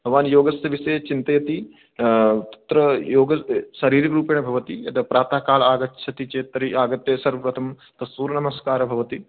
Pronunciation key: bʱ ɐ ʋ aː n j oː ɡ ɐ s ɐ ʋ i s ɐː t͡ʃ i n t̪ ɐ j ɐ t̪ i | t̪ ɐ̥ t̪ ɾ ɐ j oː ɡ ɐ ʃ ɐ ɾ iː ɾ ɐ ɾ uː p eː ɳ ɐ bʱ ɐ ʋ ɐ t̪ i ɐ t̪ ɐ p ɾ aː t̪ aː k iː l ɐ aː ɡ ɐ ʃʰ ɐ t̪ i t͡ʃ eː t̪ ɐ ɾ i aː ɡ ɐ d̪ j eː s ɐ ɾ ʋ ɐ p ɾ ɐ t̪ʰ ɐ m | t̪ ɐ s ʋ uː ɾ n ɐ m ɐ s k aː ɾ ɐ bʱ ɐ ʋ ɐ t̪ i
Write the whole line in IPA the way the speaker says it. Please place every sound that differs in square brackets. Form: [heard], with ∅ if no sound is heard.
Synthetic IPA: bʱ ɐ ʋ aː n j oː ɡ ɐ s ɐ ʋ i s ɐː t͡ʃ i n t̪ ɐ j ɐ t̪ i | t̪ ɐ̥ t̪ ɾ ɐ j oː ɡ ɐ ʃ ɐ ɾ iː ɾ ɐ ɾ uː p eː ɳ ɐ bʱ ɐ ʋ ɐ t̪ i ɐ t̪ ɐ p ɾ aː t̪ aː k [aː] l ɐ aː ɡ ɐ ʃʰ ɐ t̪ i t͡ʃ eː t̪ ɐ ɾ i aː ɡ ɐ [t̪] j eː s ɐ ɾ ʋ ɐ p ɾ ɐ t̪ʰ ɐ m | t̪ ɐ s ʋ uː ɾ n ɐ m ɐ s k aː ɾ ɐ bʱ ɐ ʋ ɐ t̪ i